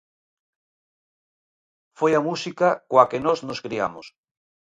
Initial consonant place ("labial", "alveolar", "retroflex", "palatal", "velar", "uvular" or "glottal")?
labial